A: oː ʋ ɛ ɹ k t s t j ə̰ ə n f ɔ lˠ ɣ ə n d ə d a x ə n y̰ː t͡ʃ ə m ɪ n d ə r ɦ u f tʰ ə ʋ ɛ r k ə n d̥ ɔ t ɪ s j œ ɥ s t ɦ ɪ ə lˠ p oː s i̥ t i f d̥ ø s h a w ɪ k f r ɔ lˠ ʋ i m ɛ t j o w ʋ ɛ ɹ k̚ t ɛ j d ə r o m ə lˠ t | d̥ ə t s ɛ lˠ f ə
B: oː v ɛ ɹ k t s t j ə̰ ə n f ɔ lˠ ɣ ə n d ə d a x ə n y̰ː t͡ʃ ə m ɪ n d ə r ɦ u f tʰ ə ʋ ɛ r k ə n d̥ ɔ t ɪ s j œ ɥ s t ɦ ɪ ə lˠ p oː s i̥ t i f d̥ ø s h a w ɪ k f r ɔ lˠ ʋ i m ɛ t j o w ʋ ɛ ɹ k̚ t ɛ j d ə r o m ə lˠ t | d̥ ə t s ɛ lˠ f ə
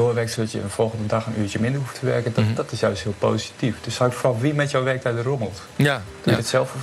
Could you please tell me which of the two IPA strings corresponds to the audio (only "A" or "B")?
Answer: A